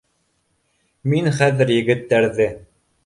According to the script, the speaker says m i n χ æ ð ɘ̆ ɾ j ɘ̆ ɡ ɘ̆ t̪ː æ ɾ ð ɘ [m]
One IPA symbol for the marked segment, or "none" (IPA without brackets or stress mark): none